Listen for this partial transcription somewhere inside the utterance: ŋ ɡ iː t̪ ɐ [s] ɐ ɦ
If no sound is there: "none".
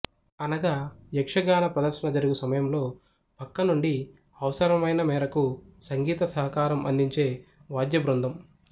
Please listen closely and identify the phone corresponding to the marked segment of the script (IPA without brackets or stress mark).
s